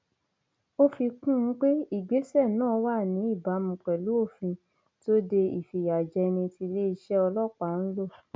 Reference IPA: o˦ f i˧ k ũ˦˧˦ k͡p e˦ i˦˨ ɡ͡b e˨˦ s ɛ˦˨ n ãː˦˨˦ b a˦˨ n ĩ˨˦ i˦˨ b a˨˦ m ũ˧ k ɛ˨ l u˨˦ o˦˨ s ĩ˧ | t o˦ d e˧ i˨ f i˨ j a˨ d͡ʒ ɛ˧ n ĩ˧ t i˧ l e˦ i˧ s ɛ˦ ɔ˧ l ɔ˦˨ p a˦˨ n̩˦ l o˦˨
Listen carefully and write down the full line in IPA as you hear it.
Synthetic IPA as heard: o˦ f i˧ k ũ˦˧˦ k͡p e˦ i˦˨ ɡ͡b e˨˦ s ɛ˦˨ n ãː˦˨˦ w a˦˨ n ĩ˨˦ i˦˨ b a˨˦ m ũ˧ k͡p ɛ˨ l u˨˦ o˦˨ f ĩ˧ | t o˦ d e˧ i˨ f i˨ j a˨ d͡ʒ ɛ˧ n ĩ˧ t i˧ l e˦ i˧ ʃ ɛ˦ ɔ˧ l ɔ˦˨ k͡p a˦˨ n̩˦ l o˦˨

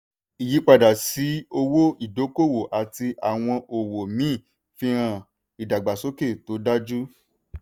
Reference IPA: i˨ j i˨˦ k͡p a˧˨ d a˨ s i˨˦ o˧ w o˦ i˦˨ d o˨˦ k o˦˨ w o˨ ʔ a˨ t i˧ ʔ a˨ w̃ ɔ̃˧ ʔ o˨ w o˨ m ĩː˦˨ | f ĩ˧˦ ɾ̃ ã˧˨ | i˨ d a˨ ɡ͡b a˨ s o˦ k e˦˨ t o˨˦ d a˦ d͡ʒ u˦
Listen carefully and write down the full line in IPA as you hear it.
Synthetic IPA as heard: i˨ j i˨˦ k͡p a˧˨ d a˨ s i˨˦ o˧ w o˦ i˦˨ d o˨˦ k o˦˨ w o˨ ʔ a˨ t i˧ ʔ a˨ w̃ ɔ̃˧ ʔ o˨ w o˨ m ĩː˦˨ | f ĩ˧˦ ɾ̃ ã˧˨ | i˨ d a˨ ɡ͡b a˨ s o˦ k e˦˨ t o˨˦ d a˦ d͡ʒ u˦

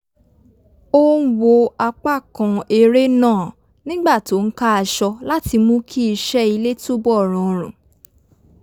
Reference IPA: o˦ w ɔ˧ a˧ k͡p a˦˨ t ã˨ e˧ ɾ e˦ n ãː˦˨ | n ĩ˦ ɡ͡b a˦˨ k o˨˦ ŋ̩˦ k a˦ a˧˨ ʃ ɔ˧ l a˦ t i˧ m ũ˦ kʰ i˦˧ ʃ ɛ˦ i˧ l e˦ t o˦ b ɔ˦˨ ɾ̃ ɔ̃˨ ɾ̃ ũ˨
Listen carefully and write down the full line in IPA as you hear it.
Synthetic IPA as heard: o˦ w o˧ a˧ k͡p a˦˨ k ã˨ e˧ ɾ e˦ n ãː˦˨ | n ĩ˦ ɡ͡b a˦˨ t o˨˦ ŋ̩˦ k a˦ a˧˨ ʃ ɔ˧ l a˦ t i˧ m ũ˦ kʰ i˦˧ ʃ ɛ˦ i˧ l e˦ t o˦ b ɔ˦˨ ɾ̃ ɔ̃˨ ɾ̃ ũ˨

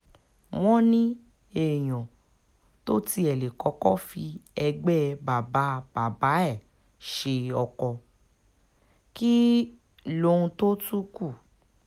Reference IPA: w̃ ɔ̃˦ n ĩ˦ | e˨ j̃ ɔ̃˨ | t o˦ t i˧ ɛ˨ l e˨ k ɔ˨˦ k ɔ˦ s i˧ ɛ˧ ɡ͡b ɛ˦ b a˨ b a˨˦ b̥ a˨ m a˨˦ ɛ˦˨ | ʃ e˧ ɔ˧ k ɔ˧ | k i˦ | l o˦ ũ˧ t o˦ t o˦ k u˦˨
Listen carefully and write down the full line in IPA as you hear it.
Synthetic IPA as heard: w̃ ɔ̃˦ n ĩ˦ | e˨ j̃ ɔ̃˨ | t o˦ t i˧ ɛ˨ l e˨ k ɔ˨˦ k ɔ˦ f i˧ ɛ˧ ɡ͡b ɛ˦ b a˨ b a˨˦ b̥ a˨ b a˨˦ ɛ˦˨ | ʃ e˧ ɔ˧ k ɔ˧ | k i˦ | l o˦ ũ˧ t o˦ t u˦ k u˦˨

